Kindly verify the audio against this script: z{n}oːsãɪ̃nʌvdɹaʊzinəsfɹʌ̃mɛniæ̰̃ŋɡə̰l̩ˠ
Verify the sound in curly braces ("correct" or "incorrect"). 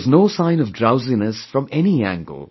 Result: correct